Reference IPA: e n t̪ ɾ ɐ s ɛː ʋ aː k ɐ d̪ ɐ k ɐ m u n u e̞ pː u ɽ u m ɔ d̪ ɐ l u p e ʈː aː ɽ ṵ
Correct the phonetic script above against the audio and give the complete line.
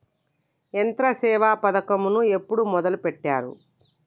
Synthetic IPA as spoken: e n t̪ ɾ ɐ s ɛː ʋ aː p ɐ d̪ ɐ k ɐ m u n u e̞ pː u ɽ u m ɔ d̪ ɐ l u p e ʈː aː ɾ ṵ